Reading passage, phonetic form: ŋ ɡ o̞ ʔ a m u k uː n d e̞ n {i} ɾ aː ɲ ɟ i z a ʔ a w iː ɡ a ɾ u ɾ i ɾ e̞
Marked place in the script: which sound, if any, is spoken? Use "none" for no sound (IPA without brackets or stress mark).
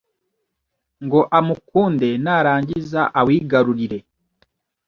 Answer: a